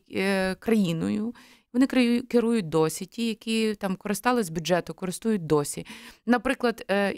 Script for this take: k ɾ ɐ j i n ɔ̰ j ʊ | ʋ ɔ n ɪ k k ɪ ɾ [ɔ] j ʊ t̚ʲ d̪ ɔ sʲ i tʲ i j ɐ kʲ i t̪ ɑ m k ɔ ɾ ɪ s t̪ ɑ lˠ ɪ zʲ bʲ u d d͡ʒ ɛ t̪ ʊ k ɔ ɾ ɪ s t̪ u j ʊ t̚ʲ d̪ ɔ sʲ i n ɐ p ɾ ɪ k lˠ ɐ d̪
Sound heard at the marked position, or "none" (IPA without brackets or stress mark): u